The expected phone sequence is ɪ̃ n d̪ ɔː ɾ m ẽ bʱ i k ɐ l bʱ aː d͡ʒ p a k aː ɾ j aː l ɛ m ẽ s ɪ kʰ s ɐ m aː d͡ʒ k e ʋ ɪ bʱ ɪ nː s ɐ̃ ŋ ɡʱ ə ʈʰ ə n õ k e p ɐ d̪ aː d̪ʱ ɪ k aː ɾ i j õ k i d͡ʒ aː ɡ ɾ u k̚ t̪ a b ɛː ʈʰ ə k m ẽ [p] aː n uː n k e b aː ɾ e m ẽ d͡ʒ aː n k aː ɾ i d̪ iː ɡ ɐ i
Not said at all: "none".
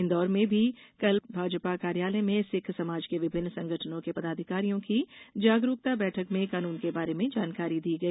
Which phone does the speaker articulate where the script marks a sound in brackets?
k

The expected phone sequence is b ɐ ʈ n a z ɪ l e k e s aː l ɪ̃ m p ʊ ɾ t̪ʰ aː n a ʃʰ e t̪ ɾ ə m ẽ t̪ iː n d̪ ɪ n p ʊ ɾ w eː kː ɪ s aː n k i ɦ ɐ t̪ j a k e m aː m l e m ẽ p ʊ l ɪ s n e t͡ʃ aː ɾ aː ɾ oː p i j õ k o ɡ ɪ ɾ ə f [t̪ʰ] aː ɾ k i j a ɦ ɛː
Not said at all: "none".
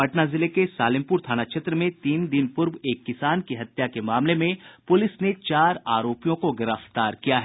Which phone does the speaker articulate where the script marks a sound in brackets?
t̪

